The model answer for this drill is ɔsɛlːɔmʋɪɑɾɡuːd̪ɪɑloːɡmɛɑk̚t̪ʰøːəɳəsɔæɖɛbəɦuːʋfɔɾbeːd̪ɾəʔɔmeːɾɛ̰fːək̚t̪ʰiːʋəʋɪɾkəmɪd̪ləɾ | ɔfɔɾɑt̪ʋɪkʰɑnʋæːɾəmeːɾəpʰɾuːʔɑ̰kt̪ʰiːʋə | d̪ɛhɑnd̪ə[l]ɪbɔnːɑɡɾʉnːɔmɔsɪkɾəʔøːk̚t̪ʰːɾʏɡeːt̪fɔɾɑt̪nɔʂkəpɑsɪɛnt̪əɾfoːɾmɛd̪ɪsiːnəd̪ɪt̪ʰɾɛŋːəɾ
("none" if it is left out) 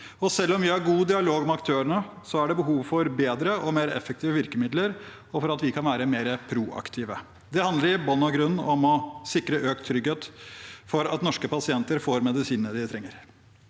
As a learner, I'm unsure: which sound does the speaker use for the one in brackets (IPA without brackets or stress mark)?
ɾ